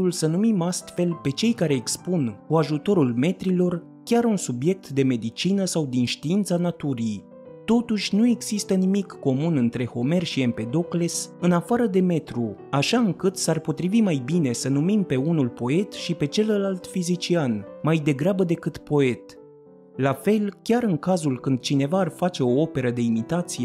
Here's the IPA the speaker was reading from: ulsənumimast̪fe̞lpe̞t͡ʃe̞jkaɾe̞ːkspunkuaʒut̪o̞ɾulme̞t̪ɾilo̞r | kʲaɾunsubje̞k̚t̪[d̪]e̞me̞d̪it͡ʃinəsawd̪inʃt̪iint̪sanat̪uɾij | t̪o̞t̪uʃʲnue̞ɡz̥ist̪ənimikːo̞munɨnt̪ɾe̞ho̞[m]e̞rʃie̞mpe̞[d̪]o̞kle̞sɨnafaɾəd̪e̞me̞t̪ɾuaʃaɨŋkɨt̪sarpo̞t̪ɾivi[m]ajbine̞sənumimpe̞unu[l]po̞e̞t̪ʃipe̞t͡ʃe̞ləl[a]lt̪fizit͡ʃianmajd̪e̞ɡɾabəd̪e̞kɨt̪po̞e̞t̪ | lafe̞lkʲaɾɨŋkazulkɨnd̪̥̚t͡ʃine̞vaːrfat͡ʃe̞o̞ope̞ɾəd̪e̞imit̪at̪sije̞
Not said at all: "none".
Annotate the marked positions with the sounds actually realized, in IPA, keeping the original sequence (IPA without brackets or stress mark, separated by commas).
d̪, m, d̪, m, l, a